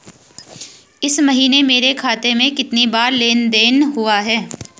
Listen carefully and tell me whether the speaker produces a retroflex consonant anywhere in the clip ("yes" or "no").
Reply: no